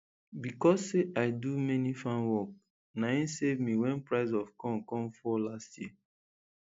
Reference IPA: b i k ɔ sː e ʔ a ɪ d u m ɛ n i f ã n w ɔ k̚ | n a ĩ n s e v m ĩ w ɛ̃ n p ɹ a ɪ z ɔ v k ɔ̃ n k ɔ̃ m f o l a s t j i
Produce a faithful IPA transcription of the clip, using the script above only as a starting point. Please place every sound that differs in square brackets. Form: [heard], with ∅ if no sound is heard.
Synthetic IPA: b i k ɔ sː e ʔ a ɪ d u m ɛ n i f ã n w ɔ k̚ | n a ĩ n s e v m [i] w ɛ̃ n p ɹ a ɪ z ɔ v k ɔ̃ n k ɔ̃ m f [ɔ] l a s t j i